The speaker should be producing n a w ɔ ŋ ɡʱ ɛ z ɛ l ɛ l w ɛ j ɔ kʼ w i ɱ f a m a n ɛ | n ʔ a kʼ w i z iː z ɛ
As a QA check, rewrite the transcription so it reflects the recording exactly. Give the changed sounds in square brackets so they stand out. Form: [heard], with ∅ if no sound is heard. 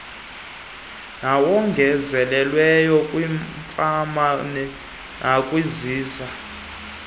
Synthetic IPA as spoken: n a w ɔ ŋ ɡʱ ɛ z ɛ l ɛ l w ɛ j ɔ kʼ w i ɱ f a m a n ɛ | n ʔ a kʼ w i z iː z [a]